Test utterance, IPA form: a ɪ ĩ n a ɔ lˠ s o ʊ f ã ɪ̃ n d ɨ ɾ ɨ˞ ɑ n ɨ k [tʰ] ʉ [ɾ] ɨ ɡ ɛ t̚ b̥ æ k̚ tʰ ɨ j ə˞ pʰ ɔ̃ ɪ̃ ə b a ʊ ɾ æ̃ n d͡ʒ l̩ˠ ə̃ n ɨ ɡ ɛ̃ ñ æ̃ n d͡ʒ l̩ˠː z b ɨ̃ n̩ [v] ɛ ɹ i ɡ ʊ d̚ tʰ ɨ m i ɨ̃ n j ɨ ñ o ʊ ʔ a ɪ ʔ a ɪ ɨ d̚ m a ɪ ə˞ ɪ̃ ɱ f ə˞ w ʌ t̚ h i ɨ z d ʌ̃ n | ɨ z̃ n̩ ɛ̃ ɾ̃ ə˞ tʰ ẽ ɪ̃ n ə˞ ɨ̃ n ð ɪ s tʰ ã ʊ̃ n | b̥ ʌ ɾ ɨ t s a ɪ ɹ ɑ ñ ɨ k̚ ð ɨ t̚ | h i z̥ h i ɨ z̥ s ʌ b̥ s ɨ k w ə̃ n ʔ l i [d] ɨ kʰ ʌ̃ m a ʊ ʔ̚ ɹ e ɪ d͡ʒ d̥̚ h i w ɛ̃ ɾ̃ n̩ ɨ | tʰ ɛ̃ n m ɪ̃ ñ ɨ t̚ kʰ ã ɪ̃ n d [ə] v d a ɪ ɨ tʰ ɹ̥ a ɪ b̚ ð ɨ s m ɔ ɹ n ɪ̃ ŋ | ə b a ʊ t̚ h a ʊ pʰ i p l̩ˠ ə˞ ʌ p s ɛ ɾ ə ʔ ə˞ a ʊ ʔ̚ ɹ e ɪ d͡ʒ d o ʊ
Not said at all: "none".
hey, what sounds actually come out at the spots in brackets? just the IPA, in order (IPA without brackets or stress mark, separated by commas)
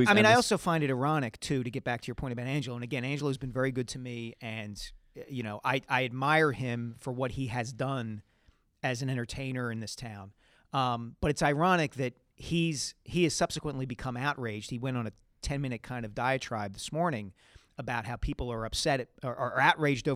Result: tʰ, ɾ, v, b, ʌ